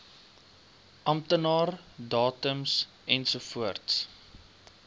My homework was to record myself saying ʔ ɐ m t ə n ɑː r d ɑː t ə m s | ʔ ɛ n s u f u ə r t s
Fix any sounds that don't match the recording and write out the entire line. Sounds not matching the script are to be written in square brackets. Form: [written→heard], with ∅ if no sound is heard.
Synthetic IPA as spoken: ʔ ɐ m t ə n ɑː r d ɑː t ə m s | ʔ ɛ n s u f u ə r t s

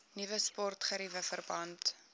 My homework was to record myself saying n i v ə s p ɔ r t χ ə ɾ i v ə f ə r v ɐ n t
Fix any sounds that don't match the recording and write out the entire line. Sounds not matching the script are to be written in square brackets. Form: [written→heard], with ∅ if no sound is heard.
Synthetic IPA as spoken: n i v ə s p ɔ r t χ ə ɾ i v ə f ə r [v→b] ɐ n t

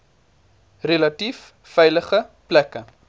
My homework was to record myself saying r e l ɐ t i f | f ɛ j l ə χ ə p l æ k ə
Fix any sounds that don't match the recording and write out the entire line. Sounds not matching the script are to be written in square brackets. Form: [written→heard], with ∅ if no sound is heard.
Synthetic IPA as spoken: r e l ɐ t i f | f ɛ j l ə χ ə p l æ k ə

